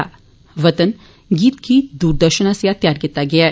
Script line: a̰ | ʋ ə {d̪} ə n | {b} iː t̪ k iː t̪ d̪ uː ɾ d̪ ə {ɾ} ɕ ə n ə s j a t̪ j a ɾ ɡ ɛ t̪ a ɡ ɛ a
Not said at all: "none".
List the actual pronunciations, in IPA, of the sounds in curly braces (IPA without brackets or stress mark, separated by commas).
t̪, ɡ, ɾ